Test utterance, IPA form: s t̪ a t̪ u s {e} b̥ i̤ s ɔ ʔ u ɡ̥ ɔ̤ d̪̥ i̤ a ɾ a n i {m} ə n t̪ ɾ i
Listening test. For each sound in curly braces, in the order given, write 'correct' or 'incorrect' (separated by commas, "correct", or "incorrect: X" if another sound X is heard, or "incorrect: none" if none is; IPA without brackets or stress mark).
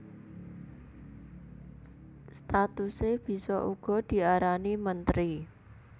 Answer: correct, correct